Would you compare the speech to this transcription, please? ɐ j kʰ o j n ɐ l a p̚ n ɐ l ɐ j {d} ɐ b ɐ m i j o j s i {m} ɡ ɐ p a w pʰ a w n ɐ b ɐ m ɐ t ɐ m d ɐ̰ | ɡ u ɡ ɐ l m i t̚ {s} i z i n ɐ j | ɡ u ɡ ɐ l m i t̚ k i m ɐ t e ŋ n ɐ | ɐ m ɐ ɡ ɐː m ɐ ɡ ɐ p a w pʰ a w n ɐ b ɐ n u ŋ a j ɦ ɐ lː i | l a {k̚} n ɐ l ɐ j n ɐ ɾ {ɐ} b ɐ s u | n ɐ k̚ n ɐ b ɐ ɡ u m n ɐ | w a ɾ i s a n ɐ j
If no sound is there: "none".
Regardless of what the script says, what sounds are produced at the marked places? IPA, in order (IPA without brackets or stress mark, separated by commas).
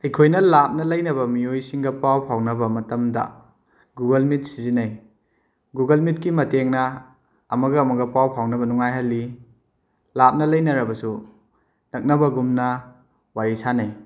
n, ŋ, s, p̚, ɐ